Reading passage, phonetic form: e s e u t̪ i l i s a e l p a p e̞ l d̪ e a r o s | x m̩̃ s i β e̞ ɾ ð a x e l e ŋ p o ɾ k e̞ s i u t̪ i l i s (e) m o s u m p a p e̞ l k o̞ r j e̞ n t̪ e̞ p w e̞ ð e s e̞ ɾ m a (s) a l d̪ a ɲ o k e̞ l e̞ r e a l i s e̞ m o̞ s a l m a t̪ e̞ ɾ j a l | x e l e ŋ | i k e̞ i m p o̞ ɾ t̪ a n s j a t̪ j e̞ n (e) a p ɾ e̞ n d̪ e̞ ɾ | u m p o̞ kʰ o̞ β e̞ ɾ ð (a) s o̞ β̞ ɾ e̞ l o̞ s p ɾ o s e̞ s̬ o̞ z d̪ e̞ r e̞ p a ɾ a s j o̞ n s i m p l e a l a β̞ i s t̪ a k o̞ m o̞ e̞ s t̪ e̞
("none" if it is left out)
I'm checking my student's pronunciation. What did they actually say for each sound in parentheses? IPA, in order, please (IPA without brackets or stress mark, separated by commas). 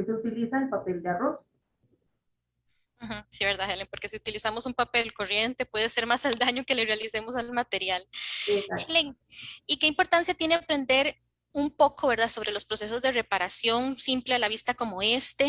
a, s, e, a